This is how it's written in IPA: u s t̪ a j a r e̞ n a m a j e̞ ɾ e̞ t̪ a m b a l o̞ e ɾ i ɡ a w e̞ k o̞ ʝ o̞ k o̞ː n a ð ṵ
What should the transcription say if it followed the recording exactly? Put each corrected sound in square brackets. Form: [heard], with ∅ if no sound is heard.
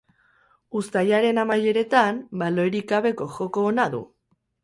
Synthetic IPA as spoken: u s t̪ a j a [ɾ] e̞ n a m a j e̞ ɾ e̞ t̪ a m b a l o̞ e ɾ i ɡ a [β] e̞ k o̞ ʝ o̞ k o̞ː n a ð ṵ

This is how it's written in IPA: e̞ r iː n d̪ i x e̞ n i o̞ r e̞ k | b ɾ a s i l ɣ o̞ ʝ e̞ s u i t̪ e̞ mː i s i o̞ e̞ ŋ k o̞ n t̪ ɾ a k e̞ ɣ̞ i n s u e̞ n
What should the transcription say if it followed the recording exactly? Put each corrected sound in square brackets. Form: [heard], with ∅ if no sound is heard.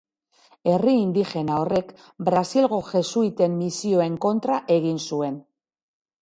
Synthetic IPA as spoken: e̞ r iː n d̪ i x e̞ n [a] o̞ r e̞ k | b ɾ a s i l ɣ o̞ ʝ e̞ s u i t̪ e̞ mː i s i o̞ e̞ ŋ k o̞ n t̪ ɾ a [ʔ] e̞ ɣ̞ i n s u e̞ n

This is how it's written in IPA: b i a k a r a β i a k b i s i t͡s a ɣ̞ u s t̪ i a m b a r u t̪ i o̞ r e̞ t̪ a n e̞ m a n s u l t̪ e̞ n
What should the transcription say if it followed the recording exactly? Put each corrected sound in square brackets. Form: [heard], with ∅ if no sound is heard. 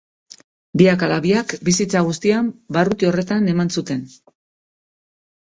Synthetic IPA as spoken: b i a k a [l] a β i a k b i s i t͡s a ɣ̞ u s t̪ i a m b a r u t̪ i o̞ r e̞ t̪ a n e̞ m a n s u [∅] t̪ e̞ n

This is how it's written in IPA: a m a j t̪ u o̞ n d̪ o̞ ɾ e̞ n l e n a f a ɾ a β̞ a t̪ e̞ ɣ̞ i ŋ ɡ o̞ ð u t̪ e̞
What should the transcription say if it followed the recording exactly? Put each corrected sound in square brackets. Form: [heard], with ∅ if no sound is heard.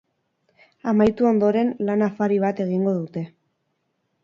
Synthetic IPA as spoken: a m a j t̪ u o̞ n d̪ o̞ ɾ e̞ n l [a] n a f a ɾ [i] β̞ a t̪ e̞ ɣ̞ i ŋ ɡ o̞ ð u t̪ e̞

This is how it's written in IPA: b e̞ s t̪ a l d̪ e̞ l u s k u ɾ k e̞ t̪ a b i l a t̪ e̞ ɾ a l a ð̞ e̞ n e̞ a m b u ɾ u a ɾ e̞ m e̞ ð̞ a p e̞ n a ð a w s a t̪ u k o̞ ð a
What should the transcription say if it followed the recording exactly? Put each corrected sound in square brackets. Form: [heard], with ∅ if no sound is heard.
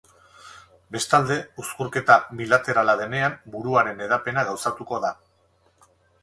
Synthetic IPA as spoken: b e̞ s t̪ a l d̪ e̞ [∅] u s k u ɾ k e̞ t̪ a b i l a t̪ e̞ ɾ a l a ð̞ e̞ n e̞ a m b u ɾ u a ɾ e̞ [n] e̞ ð̞ a p e̞ n a [ɣ] a w s a t̪ u k o̞ ð a

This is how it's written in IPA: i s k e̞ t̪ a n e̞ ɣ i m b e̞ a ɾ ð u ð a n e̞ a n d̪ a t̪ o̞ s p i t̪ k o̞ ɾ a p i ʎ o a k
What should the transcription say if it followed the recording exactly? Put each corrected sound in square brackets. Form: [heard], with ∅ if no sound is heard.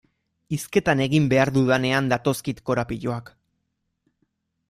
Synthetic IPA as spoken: i s k e̞ t̪ a n e̞ ɣ i m b e̞ a ɾ ð u ð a n e̞ a n d̪ a t̪ o̞ s [k] i t̪ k o̞ ɾ a p i ʎ o a k

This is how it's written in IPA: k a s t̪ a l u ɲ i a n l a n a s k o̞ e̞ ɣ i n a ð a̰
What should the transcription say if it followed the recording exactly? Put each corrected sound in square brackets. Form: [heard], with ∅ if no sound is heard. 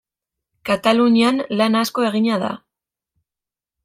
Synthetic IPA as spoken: k a [∅] t̪ a l u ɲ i a n l a n a s k o̞ e̞ ɣ i [ɲ] a ð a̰

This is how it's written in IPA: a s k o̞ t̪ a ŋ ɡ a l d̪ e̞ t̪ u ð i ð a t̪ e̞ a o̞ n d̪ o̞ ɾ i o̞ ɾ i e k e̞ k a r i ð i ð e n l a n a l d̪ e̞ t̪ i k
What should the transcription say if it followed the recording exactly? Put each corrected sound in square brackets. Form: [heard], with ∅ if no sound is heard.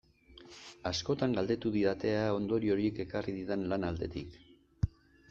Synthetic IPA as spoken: a s k o̞ t̪ a ŋ ɡ a l d̪ e̞ t̪ u ð i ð a t̪ e̞ a o̞ n d̪ o̞ ɾ i o̞ ɾ i e k e̞ k a r i ð i ð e n l a n a l d̪ e̞ t̪ i k

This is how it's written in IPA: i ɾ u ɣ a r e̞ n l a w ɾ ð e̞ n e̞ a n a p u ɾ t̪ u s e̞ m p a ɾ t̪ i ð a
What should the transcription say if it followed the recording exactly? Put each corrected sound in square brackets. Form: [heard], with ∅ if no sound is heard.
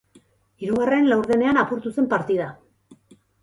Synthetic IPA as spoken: i ɾ u ɣ a r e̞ n l a w ɾ ð e̞ n e̞ a n a p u ɾ t̪ u s e̞ m p a ɾ t̪ i ð a

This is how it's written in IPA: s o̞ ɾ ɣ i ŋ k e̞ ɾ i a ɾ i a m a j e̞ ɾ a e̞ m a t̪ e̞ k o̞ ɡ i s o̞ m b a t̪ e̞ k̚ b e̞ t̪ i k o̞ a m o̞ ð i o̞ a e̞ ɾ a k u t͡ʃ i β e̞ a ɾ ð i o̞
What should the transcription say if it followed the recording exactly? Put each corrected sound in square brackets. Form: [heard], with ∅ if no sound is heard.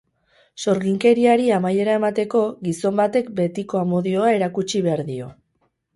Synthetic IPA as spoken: s o̞ ɾ ɣ i ŋ k e̞ ɾ i a ɾ i a m a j e̞ ɾ a e̞ m a t̪ e̞ k o̞ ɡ i s o̞ m b a t̪ e̞ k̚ b e̞ t̪ i k o̞ a m o̞ ð i o̞ a e̞ ɾ a k u t͡ʃ i β e̞ a ɾ ð i o̞

